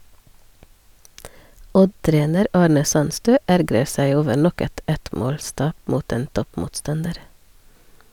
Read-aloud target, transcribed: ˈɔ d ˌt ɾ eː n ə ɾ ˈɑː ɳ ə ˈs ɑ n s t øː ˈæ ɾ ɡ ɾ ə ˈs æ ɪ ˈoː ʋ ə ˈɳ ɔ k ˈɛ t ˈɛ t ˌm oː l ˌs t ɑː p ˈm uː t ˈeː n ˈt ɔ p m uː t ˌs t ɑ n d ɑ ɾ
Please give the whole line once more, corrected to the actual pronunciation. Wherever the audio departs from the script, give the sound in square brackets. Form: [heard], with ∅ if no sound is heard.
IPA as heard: ˈɔ d ˌt ɾ eː n ə ɾ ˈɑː ɳ ə ˈs ɑ n s t øː ˈæ ɾ ɡ ɾ ə ˈs æ ɪ ˈoː ʋ ə ˈɳ ɔ k ˈɛ t ˈɛ t ˌm oː l ˌs t ɑː p ˈm uː t ˈeː n ˈt ɔ p m uː t ˌs t ɑ n d [ə] ɾ